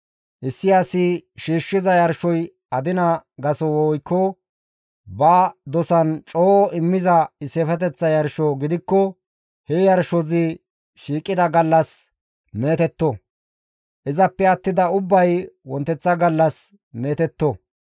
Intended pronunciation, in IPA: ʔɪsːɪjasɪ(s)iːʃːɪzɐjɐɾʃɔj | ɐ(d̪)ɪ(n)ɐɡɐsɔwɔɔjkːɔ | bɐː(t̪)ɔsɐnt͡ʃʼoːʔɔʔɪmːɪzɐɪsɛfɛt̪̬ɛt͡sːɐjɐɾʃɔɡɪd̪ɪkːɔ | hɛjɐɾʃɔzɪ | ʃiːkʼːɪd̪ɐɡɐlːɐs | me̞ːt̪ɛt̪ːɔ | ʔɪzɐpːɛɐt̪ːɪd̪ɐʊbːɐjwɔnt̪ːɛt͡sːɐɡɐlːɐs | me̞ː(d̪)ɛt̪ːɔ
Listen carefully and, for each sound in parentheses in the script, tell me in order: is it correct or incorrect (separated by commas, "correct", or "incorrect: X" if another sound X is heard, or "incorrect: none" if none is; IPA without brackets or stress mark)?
incorrect: ʃ, correct, correct, incorrect: d̪, incorrect: t̪